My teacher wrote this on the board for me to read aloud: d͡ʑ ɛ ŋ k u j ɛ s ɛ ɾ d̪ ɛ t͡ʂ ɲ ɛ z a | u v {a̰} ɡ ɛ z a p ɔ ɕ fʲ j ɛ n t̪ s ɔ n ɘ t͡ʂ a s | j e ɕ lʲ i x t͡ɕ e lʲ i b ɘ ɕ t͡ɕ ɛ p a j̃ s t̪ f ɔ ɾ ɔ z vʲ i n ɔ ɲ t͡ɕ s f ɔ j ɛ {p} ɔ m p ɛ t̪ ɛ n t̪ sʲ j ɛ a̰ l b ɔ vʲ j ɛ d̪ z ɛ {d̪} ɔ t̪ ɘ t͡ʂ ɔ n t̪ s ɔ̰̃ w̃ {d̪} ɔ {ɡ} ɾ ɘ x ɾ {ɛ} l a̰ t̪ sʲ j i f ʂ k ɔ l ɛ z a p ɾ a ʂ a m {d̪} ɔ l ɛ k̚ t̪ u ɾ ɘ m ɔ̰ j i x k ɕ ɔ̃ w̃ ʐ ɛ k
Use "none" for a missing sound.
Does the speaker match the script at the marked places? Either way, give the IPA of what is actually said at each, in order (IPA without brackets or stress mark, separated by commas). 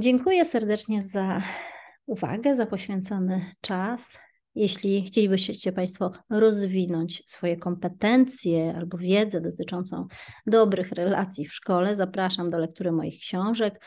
a̰, k, d̪, d̪, b, ɛ, d̪